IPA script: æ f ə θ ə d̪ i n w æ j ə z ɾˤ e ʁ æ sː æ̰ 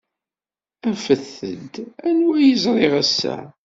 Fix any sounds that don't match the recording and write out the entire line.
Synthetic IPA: æ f ə θ ə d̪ æ n w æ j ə z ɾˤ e ʁ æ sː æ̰